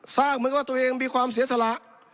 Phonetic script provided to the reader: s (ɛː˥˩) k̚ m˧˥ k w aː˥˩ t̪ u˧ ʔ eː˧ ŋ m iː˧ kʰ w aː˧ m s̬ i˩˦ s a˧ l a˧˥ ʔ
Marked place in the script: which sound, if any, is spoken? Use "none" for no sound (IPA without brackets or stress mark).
aː˥˩